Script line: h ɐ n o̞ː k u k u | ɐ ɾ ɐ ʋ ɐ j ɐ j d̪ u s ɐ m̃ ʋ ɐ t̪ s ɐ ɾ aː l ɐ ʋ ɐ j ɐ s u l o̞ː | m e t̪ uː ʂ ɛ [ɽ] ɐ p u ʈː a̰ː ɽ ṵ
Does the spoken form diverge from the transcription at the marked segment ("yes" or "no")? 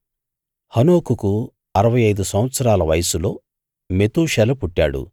yes